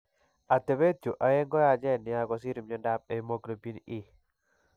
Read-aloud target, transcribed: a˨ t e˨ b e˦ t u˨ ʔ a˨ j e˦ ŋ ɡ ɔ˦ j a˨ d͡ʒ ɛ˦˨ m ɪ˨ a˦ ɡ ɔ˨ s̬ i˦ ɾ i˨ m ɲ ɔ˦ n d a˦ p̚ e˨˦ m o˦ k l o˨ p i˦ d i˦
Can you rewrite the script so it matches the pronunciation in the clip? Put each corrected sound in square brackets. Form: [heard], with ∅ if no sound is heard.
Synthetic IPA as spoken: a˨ t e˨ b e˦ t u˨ ʔ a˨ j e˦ ŋ ɡ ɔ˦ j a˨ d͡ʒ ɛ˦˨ [n] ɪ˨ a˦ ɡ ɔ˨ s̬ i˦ ɾ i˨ m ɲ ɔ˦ n d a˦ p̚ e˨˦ m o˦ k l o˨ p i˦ [n] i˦